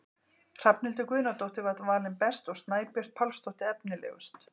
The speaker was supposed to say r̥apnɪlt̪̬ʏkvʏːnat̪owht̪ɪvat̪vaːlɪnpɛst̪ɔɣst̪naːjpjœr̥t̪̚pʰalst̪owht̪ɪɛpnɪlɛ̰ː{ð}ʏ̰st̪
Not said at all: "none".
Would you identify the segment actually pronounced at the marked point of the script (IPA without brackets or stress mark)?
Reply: ɣ